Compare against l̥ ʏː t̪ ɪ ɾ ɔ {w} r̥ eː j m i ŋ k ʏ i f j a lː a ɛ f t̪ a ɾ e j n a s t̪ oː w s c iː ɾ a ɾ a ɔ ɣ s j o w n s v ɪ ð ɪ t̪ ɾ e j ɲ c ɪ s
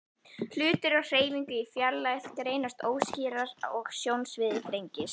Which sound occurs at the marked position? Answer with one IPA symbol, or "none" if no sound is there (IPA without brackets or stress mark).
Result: ɣ